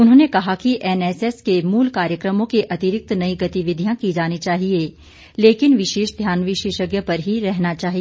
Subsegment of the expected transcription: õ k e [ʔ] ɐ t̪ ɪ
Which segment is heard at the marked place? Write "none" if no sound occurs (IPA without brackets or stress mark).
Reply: ʔ